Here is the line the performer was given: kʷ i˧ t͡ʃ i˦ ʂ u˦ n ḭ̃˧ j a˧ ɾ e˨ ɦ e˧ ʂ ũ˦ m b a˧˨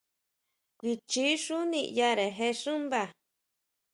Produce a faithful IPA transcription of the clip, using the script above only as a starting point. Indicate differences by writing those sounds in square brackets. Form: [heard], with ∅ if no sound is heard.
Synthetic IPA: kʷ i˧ t͡ʃ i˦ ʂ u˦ n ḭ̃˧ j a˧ ɾ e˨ ɦ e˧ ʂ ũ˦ m b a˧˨